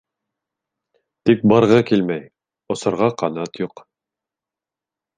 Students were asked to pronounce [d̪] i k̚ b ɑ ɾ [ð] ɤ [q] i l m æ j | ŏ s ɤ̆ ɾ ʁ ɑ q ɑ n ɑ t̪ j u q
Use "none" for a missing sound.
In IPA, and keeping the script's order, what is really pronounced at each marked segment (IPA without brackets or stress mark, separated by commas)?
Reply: t̪, ʁ, k